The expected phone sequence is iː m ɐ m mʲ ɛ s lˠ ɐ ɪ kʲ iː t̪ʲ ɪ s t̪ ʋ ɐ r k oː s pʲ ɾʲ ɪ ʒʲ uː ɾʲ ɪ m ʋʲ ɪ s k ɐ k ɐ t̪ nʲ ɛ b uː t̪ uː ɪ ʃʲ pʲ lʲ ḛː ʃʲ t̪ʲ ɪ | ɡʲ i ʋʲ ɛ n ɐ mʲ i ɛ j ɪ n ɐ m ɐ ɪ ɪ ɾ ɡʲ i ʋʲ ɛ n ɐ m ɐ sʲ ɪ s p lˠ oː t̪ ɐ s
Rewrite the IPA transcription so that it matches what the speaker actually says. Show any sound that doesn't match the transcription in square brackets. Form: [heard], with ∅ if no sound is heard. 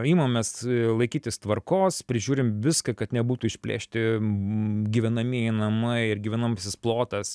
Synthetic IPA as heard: iː m ɐ m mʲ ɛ s lˠ ɐ ɪ kʲ iː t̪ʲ ɪ s t̪ ʋ ɐ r k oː s pʲ ɾʲ ɪ ʒʲ uː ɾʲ ɪ m ʋʲ ɪ s k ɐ k ɐ t̪ nʲ ɛ b uː t̪ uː ɪ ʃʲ pʲ lʲ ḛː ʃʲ t̪ʲ ɪ | ɡʲ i ʋʲ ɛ n ɐ mʲ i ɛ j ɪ n ɐ m ɐ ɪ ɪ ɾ ɡʲ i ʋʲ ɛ n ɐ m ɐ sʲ ɪ s p lˠ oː t̪ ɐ s